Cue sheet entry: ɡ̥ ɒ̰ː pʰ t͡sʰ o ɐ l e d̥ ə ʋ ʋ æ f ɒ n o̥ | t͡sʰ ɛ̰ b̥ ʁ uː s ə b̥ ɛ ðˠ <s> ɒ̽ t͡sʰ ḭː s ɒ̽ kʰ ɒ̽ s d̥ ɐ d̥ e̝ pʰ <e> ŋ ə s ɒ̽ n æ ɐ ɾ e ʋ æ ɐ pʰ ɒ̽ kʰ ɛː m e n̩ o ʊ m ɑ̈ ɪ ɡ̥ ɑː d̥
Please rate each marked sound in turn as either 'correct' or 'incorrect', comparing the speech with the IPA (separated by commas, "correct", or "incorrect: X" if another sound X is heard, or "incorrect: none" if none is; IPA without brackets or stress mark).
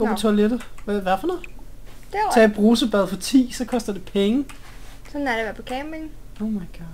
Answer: incorrect: f, correct